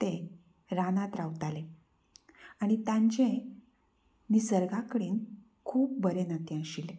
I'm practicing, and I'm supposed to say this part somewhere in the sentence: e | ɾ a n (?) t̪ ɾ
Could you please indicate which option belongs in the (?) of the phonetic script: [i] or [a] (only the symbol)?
a